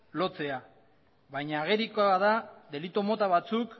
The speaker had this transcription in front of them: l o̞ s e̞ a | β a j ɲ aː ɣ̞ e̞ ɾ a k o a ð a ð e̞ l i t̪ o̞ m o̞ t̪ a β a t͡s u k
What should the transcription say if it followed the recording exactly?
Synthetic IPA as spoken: l o̞ t͡s e̞ a | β a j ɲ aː ɣ̞ e̞ ɾ i k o a ð a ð e̞ l i t̪ o̞ m o̞ t̪ a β a t͡s u k